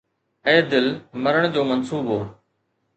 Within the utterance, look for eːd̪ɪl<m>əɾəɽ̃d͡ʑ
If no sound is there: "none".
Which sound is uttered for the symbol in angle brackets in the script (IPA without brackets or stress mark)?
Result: m